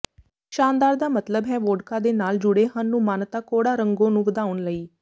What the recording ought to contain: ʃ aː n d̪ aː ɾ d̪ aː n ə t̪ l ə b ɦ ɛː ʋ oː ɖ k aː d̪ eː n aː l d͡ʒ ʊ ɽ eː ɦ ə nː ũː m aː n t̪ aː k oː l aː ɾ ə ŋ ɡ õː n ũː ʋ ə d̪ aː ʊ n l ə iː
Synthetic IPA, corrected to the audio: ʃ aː n d̪ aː ɾ d̪ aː m ə t̪ l ə b ɦ ɛː ʋ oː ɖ k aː d̪ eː n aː l d͡ʒ ʊ ɽ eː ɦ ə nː ũː m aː n t̪ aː k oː ɽ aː ɾ ə ŋ ɡ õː n ũː ʋ ə d̪ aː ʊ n l ə iː